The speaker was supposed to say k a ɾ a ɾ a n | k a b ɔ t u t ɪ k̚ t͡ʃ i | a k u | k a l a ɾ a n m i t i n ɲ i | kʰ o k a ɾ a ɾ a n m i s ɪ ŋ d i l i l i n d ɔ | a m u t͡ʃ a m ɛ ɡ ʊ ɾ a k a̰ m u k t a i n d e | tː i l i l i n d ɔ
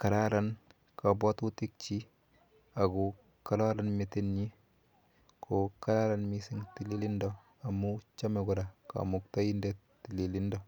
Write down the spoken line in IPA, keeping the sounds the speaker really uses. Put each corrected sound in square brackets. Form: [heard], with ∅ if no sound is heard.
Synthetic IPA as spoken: k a ɾ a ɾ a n | k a b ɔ t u t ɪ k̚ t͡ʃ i | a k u | k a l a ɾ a n m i t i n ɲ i | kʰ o k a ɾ a ɾ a n m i s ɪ ŋ [t] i l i l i n d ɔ | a m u t͡ʃ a m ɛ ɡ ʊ ɾ a k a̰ m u k t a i n d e | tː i l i l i n d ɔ

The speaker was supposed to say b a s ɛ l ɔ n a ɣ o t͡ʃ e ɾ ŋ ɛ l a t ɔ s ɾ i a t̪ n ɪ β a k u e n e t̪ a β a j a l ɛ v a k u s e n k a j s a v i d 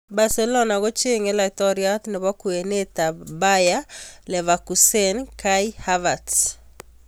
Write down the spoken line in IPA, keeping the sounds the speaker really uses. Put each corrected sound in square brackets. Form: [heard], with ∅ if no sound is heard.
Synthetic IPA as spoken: b a s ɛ l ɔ n a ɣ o t͡ʃ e [∅] ŋ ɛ l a t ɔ [∅] ɾ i a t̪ n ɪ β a k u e n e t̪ a [b] a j a l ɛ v a k u s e n k a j [h] a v [a] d

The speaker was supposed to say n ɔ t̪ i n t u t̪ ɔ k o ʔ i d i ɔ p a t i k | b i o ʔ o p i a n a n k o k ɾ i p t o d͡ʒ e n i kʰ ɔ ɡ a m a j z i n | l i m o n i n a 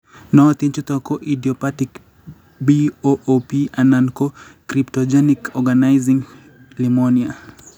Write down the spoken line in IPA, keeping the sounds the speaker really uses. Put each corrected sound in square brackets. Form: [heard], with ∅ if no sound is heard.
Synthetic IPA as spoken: n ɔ t̪ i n [t͡ʃ] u t̪ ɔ k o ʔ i d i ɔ p a t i k | b i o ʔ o p i a n a n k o k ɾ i p t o d͡ʒ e n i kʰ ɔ ɡ a [n] a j z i [ŋ] | l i m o n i [∅] a

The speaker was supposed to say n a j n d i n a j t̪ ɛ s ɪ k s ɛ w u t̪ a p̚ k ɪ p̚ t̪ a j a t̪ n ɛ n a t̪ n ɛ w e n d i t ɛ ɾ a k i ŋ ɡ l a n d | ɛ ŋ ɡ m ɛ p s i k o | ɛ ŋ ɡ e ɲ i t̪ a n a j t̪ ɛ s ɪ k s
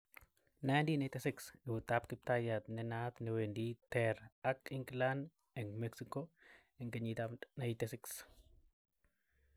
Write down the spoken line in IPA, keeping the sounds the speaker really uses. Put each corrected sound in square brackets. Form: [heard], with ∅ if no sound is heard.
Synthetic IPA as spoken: n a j n d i n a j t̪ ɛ s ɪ k s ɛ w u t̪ a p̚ k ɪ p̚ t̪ a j a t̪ n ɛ n a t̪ n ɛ w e n d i t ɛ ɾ a k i ŋ ɡ l a n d | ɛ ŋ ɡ m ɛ [k] s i k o | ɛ ŋ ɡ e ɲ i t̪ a n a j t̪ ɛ s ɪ k s

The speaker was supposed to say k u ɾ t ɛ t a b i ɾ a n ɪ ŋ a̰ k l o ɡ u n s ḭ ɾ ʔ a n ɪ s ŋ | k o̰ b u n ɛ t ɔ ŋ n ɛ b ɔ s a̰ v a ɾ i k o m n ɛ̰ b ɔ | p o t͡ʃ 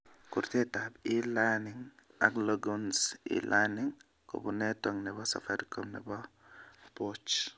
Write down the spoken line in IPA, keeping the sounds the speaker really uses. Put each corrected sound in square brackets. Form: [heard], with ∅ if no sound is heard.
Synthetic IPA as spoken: k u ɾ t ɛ t a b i [l] a n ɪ ŋ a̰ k l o ɡ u n s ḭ [l] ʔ a n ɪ [∅] ŋ | k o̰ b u n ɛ t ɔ ŋ n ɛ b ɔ s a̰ [f] a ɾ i k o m n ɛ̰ b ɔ | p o t͡ʃ

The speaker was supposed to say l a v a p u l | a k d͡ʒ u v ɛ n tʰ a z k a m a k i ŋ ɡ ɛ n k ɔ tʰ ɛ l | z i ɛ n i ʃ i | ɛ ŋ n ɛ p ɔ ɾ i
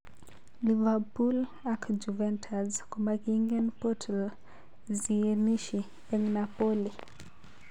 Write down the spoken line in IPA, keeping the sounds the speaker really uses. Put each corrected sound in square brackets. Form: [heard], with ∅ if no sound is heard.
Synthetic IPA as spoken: l [i] v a p u l | a k d͡ʒ u v ɛ n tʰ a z k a m a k i ŋ ɡ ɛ n [p] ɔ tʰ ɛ l | z i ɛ n i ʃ i | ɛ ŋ n [a] p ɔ [l] i

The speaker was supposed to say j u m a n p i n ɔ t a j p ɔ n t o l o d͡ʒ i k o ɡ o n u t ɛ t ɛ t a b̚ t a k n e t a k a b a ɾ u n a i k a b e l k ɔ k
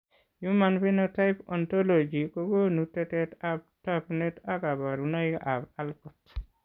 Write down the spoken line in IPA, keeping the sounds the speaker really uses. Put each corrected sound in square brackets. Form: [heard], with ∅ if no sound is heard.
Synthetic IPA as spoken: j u m a n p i n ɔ t a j p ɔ n t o l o d͡ʒ i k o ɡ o n u t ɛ t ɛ t a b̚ t a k n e t a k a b a ɾ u n a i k a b [a] l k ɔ [t]

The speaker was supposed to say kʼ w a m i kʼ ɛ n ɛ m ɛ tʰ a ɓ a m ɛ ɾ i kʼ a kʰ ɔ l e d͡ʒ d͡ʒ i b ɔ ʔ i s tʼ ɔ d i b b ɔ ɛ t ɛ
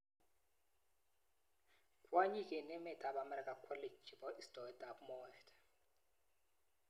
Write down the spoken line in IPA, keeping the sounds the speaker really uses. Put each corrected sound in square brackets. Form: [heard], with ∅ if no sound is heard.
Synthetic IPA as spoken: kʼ w a [ɲ] i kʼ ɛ n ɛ m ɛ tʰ a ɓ a m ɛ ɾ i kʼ a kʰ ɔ l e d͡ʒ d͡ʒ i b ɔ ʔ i s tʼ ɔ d [a] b [m] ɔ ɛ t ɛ

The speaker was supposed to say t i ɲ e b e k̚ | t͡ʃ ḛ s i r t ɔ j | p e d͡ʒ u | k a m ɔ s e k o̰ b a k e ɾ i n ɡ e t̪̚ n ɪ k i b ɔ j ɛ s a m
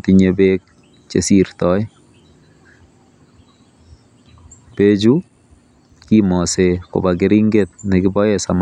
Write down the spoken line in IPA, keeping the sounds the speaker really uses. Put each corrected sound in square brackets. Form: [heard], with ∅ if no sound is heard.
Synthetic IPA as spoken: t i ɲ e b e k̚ | t͡ʃ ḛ s i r t ɔ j | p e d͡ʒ u | k [i] m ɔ s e k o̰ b a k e ɾ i [ŋ] ɡ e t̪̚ n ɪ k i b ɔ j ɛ s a m

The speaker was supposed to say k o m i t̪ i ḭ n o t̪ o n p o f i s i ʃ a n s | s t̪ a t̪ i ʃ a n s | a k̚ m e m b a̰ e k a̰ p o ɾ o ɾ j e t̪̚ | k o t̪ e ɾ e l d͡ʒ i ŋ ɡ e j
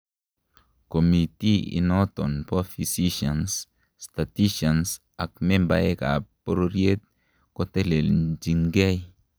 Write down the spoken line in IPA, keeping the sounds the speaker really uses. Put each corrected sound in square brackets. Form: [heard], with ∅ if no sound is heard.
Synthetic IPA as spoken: k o m i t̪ i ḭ n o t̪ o n p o f i s i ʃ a n s | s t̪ a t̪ i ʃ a n s | a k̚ m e m b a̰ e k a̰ p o ɾ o ɾ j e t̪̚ | k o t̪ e [l] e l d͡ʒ i ŋ ɡ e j

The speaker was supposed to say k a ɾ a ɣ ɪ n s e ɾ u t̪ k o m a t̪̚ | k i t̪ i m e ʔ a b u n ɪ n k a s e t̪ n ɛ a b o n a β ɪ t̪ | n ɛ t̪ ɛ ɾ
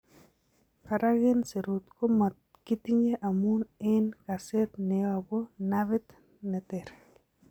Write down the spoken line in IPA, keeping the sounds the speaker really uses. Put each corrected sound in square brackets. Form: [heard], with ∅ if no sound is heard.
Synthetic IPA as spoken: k a ɾ a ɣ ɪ n s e ɾ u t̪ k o m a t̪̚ | k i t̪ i [ɲ] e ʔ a [m] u n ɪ n k a s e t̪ n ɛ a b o n a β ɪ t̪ | n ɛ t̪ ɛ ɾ

